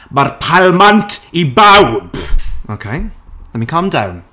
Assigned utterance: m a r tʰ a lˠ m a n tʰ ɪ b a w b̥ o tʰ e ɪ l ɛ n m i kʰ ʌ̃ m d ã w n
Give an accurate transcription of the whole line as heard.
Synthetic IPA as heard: m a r pʰ a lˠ m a n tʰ i b a w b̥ o kʰ e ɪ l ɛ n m i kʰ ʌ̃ m d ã w n